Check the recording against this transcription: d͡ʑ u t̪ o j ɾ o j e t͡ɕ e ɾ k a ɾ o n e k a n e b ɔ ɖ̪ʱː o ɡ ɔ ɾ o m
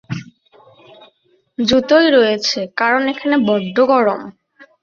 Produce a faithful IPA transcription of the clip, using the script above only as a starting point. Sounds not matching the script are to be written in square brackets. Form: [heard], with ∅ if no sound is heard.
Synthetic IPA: d͡ʑ u t̪ o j ɾ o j e [t͡ɕʰ] e [∅] k a ɾ o n e [kʰ] a n e b ɔ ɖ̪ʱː o ɡ ɔ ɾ o m